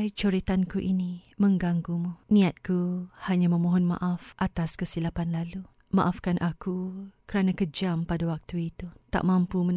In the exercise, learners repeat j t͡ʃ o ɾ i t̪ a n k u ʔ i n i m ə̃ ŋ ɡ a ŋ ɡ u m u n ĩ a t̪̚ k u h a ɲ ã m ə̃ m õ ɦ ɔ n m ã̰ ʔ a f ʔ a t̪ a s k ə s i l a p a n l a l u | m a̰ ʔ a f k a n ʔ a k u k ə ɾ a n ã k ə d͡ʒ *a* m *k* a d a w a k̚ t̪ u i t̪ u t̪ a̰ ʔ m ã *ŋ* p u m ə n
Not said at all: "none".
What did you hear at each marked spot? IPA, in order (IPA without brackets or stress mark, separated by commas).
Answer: a, p, m